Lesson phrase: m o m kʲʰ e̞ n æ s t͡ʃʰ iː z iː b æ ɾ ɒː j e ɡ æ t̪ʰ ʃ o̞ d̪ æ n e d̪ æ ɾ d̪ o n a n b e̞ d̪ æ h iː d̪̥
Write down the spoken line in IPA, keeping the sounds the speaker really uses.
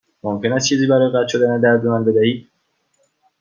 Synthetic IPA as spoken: m o m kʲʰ e̞ n æ s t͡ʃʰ iː z iː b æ ɾ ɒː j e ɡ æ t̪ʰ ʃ o̞ d̪ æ n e d̪ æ ɾ d̪ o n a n b e̞ d̪ æ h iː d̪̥